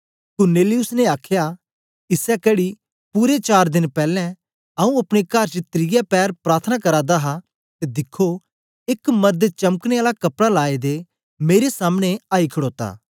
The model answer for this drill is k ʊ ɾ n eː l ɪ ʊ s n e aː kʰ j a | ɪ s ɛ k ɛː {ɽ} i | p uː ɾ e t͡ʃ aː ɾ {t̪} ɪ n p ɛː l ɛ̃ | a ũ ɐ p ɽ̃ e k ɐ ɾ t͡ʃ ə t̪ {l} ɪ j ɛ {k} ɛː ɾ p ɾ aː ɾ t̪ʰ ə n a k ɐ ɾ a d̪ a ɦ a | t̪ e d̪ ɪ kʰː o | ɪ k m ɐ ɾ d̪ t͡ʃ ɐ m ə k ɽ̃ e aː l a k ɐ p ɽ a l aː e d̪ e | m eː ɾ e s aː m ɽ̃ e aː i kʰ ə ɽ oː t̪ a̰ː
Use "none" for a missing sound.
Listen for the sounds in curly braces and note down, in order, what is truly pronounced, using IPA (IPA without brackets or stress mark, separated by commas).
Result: ɽ, d̪, ɾ, p